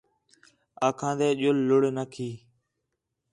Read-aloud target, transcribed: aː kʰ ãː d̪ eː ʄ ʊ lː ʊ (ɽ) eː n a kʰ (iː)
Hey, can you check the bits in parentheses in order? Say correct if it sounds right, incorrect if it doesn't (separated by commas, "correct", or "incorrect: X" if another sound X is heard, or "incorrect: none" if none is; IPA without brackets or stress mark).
correct, correct